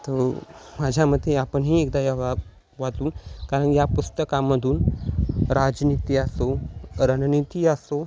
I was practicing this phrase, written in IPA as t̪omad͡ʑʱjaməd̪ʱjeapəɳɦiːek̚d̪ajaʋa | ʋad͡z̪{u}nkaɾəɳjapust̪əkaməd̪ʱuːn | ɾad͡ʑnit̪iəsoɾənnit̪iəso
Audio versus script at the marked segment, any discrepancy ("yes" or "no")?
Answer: yes